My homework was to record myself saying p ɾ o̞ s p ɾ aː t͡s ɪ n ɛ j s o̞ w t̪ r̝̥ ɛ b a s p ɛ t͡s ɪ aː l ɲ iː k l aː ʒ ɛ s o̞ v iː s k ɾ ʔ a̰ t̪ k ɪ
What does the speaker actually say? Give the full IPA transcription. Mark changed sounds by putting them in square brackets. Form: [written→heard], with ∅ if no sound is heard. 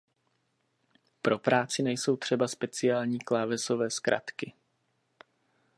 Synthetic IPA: p ɾ o̞ [s→∅] p ɾ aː t͡s ɪ n ɛ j s o̞ w t̪ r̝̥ ɛ b a s p ɛ t͡s ɪ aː l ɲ iː k l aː [ʒ→v] ɛ s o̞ v [iː→ɛː] s k ɾ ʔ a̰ t̪ k ɪ